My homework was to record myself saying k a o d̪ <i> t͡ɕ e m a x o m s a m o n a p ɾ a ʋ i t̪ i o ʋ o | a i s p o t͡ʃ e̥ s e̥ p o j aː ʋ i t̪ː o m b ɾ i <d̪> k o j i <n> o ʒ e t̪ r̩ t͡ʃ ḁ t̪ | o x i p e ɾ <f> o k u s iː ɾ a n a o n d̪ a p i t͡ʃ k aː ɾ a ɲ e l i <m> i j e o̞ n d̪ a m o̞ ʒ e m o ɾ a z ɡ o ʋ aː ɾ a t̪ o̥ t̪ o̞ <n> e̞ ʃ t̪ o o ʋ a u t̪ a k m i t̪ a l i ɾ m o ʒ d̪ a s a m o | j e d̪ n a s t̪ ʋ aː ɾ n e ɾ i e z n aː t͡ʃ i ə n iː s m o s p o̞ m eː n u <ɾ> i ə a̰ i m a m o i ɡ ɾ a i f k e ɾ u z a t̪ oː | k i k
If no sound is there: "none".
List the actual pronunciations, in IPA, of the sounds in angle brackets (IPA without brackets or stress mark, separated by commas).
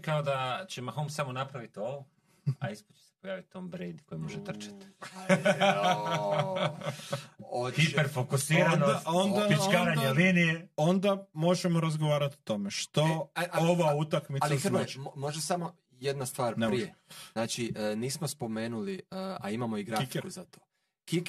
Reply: a, d̪, m, f, n, m, l